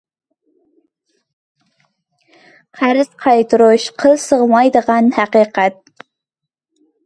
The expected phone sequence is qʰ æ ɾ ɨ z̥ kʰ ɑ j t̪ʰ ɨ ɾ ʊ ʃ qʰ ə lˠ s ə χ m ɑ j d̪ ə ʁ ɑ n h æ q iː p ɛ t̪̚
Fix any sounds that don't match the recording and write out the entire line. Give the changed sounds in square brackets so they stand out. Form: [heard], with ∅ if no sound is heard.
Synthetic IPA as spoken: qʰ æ ɾ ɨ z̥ [qʰ] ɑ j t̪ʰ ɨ ɾ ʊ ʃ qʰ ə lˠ s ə [ʁ] m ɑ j d̪ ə ʁ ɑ n h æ q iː [q] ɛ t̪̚